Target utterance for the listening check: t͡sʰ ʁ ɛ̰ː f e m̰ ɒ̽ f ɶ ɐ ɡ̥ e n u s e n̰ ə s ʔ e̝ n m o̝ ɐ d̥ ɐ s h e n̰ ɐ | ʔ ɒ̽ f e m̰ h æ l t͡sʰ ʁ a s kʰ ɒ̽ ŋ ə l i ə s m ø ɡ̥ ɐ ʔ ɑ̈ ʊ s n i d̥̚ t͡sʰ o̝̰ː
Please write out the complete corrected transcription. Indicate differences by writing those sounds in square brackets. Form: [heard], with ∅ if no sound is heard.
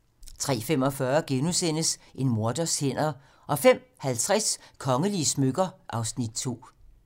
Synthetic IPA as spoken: t͡sʰ ʁ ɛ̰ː f e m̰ ɒ̽ f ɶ ɐ ɡ̥ e n u s e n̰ ə s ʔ e̝ n m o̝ ɐ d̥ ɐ s h e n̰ ɐ | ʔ ɒ̽ f e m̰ h æ l t͡sʰ ʁ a s kʰ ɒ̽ ŋ ə l i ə s m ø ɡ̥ ɐ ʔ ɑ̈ ʊ s n i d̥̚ t͡sʰ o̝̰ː